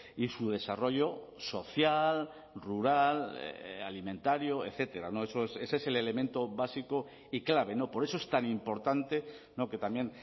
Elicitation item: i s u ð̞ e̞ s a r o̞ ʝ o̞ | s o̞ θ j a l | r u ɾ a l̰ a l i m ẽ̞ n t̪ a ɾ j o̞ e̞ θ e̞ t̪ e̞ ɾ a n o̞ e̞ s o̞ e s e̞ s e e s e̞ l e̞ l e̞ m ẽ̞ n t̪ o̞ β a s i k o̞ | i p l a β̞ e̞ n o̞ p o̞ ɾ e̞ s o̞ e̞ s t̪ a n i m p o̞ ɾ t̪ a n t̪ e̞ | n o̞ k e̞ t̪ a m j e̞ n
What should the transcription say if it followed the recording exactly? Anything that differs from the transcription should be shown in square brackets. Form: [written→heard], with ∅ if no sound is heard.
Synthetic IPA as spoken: i s u ð̞ e̞ s a r o̞ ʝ o̞ | s o̞ θ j a l | r u ɾ a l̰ a l i m ẽ̞ n t̪ a ɾ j o̞ e̞ θ e̞ t̪ e̞ ɾ a n o̞ e̞ s o̞ e s e̞ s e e s e̞ l e̞ l e̞ m ẽ̞ n t̪ o̞ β a s i k o̞ | i [p→k] l a β̞ e̞ n o̞ p o̞ ɾ e̞ s o̞ e̞ s t̪ a n i m p o̞ ɾ t̪ a n t̪ e̞ | n o̞ k e̞ t̪ a m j e̞ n